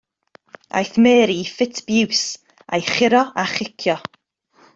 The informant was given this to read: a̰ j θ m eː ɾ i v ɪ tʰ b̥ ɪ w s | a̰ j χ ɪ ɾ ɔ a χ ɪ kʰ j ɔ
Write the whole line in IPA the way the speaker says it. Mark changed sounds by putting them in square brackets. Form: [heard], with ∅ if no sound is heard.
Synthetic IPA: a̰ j θ m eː ɾ i [f] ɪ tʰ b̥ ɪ w s | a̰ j χ ɪ ɾ ɔ a χ ɪ kʰ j ɔ